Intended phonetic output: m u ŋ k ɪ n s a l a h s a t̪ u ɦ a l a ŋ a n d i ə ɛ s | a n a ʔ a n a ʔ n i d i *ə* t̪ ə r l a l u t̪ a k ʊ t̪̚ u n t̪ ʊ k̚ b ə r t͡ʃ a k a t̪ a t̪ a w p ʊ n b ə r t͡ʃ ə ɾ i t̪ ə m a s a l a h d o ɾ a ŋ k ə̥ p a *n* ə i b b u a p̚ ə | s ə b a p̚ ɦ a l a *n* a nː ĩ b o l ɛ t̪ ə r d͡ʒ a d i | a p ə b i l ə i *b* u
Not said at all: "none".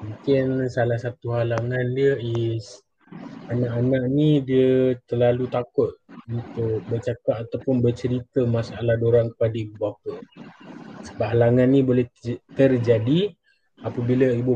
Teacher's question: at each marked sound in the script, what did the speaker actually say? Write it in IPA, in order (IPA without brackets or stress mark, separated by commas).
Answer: ə, d, ŋ, b